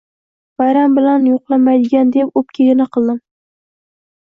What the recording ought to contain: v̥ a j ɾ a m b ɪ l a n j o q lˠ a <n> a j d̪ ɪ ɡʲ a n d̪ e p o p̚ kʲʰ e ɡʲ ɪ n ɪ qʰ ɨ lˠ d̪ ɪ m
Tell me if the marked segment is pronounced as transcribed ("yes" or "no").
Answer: no